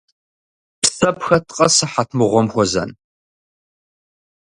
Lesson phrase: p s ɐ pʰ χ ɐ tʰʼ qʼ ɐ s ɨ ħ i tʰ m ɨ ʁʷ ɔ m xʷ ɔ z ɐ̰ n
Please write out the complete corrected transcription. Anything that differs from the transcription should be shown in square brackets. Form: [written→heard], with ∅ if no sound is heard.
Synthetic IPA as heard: p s ɐ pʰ [χ→x] ɐ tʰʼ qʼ ɐ s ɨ ħ [i→a] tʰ m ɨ ʁʷ ɔ m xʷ ɔ z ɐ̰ n